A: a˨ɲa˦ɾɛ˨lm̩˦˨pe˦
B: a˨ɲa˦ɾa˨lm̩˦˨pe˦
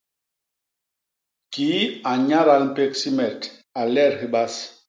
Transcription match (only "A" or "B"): B